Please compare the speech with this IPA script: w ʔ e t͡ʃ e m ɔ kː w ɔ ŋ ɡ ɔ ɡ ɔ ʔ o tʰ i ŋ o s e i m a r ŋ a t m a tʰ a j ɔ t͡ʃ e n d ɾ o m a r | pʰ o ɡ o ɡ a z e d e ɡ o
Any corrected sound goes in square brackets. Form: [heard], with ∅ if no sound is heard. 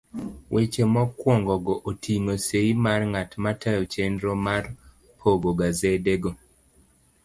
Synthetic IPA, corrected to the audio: w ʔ e t͡ʃ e m ɔ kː w ɔ ŋ ɡ ɔ ɡ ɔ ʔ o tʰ i ŋ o s e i m a r ŋ a t m a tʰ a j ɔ t͡ʃ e n d ɾ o m a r | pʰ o ɡ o ɡ a z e d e ɡ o